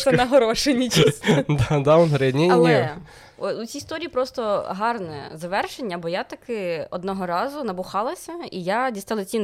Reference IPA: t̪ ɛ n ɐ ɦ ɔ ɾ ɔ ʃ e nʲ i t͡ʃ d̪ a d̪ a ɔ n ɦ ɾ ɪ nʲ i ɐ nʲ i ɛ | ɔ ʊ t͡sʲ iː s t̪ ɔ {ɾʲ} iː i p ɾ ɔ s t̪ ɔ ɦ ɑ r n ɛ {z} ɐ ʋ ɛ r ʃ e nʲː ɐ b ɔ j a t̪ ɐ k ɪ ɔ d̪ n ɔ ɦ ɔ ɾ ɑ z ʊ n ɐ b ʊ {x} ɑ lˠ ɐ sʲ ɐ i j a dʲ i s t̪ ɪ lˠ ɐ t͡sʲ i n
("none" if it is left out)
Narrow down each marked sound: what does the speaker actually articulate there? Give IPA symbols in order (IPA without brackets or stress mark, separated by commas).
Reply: ɾʲ, z, x